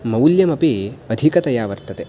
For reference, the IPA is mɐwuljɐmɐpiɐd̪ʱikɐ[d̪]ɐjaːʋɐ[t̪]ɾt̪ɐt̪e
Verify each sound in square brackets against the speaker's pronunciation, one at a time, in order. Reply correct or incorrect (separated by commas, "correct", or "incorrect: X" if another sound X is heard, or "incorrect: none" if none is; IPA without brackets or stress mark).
incorrect: t̪, incorrect: none